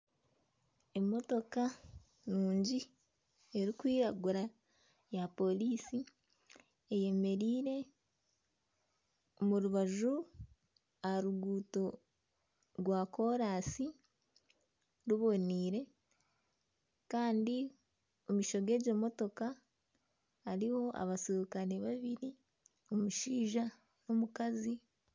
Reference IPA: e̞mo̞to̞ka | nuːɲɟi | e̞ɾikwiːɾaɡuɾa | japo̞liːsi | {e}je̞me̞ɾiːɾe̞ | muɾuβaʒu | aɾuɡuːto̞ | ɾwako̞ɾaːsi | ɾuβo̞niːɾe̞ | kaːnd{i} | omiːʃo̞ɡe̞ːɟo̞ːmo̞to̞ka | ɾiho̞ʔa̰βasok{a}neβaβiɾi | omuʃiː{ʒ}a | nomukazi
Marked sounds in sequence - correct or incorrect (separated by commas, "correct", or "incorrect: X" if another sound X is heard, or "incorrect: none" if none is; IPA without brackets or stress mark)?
correct, correct, correct, correct